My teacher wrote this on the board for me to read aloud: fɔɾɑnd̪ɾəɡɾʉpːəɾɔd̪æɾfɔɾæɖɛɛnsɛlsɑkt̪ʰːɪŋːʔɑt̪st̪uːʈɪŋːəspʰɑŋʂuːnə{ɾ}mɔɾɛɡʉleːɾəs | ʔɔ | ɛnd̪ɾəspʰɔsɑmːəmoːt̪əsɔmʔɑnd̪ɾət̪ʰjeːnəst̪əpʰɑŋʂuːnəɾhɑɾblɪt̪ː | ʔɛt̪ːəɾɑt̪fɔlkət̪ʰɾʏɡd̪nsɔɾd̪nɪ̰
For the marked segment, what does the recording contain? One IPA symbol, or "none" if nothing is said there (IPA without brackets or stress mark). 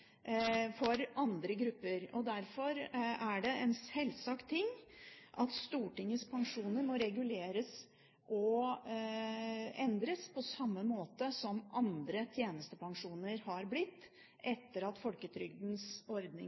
ɾ